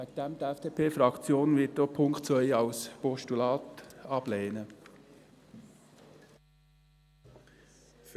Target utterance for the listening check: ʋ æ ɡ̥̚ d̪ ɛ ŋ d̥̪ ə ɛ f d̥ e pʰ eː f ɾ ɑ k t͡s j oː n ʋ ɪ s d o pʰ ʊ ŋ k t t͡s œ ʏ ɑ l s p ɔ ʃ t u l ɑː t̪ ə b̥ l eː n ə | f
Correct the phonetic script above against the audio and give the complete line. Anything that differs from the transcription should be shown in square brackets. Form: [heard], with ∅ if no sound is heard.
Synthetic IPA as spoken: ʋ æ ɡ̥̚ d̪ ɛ [m] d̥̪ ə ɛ f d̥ e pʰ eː f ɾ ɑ k t͡s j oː n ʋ ɪ [t] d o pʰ ʊ ŋ k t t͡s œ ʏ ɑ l s p ɔ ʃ t u l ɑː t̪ [ɑ] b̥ l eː n ə | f